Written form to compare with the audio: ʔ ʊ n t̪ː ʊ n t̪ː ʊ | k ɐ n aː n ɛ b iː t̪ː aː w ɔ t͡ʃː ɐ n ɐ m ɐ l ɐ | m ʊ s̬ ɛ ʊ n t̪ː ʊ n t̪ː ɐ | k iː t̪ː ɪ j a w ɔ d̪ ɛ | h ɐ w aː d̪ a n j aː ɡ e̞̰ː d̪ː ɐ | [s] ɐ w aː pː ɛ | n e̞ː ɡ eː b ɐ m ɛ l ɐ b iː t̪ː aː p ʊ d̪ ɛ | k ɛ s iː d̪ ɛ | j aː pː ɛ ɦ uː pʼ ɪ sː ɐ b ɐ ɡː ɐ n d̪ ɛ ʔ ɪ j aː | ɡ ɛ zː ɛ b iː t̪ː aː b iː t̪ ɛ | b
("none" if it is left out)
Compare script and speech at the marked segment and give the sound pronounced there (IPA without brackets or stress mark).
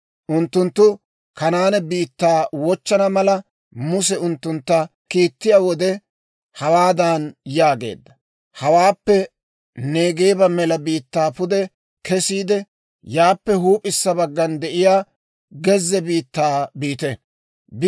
h